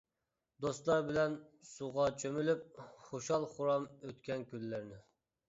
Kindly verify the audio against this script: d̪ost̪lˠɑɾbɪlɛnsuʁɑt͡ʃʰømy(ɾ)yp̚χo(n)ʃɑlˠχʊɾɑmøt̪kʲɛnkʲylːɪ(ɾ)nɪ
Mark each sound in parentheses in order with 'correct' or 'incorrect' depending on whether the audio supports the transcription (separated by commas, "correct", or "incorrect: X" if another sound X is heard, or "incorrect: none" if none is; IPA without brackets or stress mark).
incorrect: l, incorrect: none, correct